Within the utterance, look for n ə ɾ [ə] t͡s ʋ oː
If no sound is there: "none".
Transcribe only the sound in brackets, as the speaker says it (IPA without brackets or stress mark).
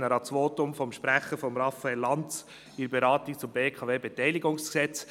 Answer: ɑ